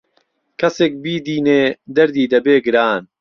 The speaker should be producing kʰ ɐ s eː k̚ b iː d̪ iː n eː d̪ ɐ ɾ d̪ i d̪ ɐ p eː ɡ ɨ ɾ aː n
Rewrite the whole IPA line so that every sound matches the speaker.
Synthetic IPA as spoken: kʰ ɐ s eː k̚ b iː d̪ iː n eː d̪ ɐ ɾ d̪ iː d̪ ɐ b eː ɡ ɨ ɾ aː n